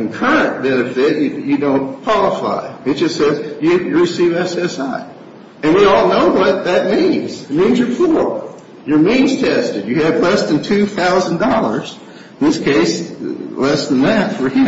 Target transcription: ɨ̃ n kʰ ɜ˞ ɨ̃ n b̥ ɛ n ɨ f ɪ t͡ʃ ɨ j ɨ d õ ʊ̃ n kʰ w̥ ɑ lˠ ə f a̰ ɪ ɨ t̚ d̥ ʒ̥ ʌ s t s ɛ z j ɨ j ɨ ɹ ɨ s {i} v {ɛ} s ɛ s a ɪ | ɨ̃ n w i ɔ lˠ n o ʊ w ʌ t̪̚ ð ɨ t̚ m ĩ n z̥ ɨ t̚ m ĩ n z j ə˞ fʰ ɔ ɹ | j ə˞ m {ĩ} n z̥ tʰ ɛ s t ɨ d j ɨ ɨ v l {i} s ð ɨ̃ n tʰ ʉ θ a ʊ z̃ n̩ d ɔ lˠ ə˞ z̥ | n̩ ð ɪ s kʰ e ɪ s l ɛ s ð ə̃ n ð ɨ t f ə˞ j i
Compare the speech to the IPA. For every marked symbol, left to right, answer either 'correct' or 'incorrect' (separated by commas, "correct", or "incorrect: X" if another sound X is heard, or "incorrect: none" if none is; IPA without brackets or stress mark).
correct, correct, correct, incorrect: ɛ